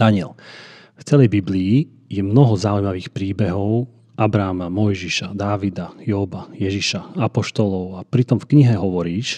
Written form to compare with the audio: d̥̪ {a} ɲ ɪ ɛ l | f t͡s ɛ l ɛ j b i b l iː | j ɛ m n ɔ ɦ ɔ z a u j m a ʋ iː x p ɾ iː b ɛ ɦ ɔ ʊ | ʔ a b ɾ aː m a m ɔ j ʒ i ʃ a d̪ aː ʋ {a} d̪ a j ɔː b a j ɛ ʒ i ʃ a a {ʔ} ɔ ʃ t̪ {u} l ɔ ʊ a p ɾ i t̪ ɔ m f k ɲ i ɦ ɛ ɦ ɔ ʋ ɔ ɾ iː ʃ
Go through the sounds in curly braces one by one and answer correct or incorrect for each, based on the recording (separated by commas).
correct, incorrect, incorrect, incorrect